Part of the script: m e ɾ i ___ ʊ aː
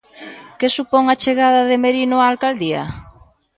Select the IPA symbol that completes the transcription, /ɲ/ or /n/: n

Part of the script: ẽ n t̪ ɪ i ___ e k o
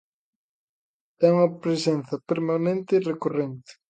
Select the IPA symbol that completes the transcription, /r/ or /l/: r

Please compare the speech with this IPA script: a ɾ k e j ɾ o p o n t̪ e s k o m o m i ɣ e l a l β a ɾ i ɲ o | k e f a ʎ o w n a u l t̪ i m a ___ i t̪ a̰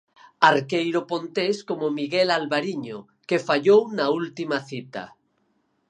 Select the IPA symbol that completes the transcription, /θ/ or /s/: θ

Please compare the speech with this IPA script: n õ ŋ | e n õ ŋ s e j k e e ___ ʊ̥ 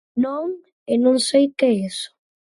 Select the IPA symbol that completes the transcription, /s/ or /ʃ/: s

